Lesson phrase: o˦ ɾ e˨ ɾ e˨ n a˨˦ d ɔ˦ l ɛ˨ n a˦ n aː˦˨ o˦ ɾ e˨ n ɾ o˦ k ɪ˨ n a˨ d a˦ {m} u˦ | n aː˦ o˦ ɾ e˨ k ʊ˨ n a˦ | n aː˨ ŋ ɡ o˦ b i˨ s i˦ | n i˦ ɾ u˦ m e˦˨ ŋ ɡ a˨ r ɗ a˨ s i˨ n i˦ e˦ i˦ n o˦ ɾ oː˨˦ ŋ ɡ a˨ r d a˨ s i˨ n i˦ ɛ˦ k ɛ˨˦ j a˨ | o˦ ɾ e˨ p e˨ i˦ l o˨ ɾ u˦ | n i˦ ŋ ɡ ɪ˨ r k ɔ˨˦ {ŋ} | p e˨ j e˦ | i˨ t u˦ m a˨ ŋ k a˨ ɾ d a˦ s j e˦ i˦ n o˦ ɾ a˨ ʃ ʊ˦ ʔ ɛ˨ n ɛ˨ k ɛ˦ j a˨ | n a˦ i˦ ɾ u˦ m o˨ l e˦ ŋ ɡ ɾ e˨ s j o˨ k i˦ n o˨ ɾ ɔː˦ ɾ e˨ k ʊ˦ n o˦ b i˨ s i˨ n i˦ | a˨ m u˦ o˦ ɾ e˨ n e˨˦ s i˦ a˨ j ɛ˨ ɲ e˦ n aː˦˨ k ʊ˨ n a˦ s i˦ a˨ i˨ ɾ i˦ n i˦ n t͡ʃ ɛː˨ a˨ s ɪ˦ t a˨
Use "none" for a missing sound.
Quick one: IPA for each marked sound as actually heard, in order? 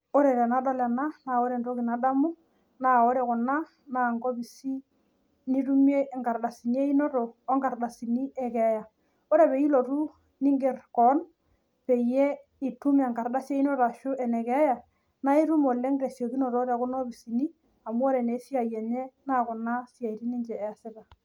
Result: m, n

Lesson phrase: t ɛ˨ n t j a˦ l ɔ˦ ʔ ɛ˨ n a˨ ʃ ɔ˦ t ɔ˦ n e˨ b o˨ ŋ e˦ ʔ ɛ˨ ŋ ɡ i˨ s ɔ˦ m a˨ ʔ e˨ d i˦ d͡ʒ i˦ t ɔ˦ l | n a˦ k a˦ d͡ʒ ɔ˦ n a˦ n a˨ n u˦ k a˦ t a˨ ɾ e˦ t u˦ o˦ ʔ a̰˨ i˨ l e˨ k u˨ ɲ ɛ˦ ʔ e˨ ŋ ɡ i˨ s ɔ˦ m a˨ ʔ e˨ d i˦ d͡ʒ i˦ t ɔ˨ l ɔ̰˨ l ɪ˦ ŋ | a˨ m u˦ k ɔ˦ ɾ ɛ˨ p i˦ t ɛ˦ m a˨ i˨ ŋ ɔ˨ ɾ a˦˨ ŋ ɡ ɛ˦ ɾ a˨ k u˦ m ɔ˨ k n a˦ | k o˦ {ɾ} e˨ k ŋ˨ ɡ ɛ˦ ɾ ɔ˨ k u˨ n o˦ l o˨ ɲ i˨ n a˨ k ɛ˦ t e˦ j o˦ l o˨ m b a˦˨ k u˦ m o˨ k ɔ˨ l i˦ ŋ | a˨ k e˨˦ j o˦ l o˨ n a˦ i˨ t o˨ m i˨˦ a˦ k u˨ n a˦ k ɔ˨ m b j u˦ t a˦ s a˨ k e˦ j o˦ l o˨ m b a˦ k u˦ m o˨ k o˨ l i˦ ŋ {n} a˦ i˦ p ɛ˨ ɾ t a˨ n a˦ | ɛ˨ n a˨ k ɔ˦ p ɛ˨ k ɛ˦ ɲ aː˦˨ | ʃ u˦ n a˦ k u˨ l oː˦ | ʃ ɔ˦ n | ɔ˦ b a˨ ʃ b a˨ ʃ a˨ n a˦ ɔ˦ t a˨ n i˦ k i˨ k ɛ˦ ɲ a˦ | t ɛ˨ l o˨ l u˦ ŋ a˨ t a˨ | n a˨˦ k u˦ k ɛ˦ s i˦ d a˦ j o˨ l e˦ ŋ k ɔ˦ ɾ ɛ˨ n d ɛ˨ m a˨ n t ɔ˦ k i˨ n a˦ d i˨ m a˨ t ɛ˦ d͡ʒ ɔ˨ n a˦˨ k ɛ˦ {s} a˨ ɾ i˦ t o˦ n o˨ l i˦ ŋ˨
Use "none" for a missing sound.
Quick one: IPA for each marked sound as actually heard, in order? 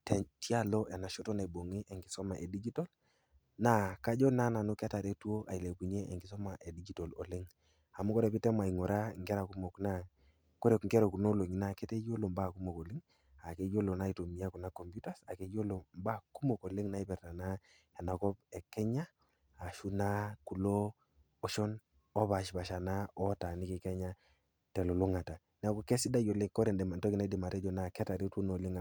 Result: ɾ, n, t

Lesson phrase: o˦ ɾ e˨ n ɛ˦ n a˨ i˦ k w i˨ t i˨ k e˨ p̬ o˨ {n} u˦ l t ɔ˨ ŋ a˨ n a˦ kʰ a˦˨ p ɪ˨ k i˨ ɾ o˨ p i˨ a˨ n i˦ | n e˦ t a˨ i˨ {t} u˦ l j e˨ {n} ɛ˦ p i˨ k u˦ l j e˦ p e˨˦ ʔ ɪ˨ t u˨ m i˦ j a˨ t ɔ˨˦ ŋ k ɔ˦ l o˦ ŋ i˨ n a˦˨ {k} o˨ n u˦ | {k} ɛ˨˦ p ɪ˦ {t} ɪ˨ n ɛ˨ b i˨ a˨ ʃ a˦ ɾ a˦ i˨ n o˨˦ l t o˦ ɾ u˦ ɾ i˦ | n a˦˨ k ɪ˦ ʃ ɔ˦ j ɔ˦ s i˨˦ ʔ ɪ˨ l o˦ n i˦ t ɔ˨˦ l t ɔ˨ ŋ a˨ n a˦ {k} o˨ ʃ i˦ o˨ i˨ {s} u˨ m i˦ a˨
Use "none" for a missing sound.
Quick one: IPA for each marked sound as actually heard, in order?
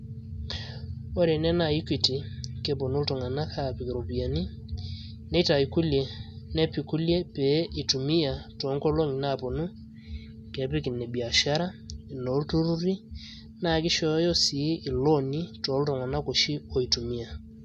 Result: n, k, n, p, k, k, k, t

